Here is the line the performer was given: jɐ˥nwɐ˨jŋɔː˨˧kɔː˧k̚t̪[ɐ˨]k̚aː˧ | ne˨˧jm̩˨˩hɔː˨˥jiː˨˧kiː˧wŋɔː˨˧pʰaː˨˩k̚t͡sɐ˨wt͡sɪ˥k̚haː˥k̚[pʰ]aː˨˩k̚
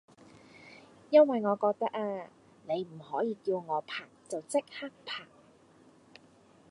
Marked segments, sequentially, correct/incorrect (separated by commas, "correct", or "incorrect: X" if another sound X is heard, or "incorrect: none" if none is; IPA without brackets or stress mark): incorrect: ɐ˥, correct